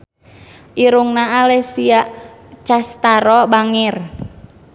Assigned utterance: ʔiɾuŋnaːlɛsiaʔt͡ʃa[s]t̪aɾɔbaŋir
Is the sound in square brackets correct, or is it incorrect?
correct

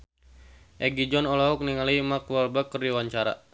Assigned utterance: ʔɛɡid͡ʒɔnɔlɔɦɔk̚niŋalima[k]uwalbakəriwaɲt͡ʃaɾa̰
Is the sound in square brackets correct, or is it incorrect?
correct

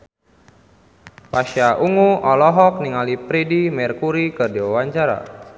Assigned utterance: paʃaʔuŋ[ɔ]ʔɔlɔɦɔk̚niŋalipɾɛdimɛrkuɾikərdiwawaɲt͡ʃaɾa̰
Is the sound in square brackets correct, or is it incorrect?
incorrect: u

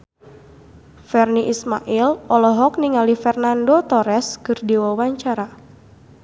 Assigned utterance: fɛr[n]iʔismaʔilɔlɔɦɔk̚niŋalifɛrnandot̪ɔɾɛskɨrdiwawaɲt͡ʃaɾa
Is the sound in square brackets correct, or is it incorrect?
correct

